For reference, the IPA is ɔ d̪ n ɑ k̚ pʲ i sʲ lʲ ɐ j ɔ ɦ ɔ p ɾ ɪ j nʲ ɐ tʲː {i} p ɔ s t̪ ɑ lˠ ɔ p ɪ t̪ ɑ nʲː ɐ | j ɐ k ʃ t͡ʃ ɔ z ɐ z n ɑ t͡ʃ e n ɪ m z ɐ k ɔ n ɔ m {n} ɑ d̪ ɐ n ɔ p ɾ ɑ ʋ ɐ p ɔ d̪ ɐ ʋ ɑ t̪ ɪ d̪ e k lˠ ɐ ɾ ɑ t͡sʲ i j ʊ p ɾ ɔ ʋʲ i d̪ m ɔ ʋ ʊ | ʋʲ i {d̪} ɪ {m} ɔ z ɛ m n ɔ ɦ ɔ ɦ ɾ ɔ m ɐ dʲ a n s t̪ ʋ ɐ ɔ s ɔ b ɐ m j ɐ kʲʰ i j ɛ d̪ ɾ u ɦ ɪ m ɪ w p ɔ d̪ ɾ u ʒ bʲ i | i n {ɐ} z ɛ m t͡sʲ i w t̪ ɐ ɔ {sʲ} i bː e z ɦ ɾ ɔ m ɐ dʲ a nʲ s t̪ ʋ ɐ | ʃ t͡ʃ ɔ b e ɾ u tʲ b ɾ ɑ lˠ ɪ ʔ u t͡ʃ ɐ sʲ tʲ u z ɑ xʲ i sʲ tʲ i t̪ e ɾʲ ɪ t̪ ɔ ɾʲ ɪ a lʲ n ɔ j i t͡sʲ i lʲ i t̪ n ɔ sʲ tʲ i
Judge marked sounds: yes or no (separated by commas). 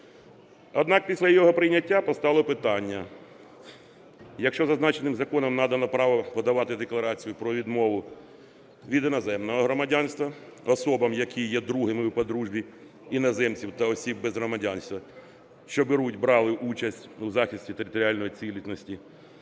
no, yes, yes, no, yes, yes